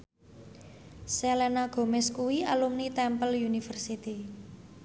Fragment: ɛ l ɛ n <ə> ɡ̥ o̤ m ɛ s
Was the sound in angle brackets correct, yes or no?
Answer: no